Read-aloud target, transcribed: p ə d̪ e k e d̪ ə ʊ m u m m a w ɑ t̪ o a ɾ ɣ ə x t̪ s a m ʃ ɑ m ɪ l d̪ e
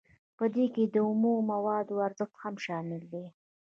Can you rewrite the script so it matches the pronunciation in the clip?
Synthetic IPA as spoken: p ə d̪ e k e d̪ ə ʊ m u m m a w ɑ d̪ o a ɾ z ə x t̪ h a m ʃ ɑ m ɪ l d̪ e